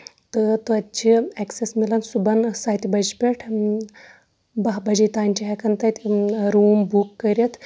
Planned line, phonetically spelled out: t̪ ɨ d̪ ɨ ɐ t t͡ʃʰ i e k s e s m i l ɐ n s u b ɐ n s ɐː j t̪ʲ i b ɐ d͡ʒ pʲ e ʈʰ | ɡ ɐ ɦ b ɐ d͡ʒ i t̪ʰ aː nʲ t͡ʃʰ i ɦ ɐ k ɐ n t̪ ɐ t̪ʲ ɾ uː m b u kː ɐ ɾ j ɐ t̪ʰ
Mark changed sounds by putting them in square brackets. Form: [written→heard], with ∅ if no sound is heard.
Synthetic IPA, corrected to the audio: t̪ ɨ [d̪→t̪] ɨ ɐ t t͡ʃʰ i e k s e s m i l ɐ n s u b ɐ n s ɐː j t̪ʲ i b ɐ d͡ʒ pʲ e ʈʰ | [ɡ→b] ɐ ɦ b ɐ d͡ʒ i [t̪ʰ→t̪] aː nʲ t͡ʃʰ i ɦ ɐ k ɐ n t̪ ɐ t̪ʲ ɾ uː m b u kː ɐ ɾ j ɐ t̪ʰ